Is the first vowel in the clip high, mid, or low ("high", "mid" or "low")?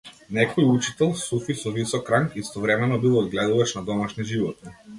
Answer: mid